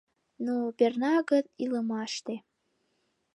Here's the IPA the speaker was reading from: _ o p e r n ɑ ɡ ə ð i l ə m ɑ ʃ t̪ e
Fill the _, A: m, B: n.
B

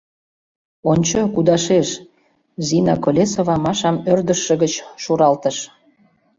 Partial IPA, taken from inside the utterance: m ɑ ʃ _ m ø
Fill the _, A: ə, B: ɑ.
B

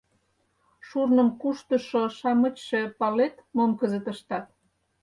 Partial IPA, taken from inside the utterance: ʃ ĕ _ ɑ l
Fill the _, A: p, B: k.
A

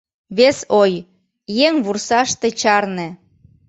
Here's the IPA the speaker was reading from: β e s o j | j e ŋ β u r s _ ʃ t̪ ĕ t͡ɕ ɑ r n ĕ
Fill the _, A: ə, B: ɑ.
B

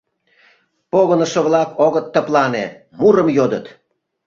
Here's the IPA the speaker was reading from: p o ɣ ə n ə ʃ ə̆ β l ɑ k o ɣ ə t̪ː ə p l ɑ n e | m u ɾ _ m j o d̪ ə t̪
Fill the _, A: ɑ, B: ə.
B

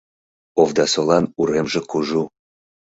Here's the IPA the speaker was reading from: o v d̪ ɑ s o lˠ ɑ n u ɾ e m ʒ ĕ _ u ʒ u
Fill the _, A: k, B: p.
A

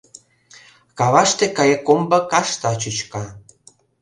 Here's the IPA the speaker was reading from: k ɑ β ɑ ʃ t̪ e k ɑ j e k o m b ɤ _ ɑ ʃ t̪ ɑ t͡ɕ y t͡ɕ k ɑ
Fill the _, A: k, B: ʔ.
A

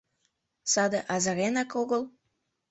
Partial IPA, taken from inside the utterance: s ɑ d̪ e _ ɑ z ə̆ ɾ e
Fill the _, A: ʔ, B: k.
A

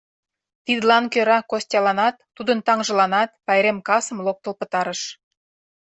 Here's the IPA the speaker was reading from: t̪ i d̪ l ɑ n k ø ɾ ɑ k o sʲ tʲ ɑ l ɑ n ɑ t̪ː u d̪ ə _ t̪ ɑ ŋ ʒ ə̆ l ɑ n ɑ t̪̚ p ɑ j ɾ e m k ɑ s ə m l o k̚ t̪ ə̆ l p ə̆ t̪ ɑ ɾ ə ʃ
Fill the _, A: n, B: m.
A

